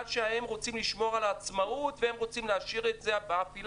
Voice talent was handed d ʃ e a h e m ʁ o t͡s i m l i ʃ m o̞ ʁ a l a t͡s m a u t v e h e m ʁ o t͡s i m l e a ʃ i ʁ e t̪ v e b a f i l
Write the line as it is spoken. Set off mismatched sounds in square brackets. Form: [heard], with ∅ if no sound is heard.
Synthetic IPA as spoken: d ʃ e a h e m ʁ o t͡s i m l i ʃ m o̞ ʁ a l a t͡s m a u t v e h e m ʁ o t͡s i m l e a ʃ i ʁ e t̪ [z] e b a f i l